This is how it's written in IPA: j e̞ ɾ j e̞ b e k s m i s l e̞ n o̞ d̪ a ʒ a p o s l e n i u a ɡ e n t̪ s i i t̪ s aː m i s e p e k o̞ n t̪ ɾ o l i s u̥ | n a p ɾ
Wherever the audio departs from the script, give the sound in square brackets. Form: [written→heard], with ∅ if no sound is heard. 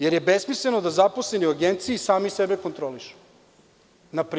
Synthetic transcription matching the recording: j e̞ ɾ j e̞ b e [k→∅] s m i s l e̞ n o̞ d̪ a [ʒ→z] a p o s l e n i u a ɡ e n t̪ s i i [t̪→∅] s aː m i s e [p→b] e k o̞ n t̪ ɾ o l i [s→ʃ] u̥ | n a p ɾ